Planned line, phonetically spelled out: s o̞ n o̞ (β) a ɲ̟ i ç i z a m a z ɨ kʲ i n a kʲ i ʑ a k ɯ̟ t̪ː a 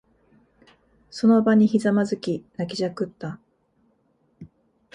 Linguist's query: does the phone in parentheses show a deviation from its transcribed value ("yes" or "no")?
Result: yes